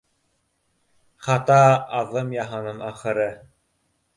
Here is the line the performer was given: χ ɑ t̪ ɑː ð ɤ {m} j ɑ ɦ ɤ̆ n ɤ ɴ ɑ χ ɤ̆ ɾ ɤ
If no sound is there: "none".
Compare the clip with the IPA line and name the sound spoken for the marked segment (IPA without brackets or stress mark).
m